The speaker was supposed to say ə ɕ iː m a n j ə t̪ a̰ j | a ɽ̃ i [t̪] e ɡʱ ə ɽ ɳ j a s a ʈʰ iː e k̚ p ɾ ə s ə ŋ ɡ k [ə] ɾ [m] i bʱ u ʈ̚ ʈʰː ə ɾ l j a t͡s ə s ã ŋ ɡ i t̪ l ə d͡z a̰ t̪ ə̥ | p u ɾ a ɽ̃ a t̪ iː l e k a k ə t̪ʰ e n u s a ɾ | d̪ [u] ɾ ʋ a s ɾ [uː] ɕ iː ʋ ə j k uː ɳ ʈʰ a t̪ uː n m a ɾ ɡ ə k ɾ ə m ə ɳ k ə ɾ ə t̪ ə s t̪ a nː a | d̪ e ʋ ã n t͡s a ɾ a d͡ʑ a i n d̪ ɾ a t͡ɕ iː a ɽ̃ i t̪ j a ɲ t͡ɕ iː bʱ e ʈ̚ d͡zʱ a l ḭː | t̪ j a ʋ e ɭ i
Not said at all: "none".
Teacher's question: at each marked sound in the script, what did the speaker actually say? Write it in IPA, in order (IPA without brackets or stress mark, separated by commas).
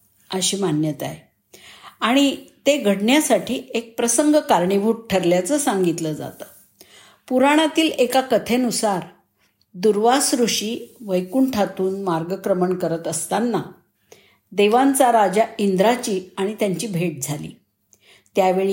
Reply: t̪, a, ɳ, u, u